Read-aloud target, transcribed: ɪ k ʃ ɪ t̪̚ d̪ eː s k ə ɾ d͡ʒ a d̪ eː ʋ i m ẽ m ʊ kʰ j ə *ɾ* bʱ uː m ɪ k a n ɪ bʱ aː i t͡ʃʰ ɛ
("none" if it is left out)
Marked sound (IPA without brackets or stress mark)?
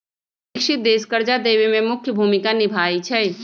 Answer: none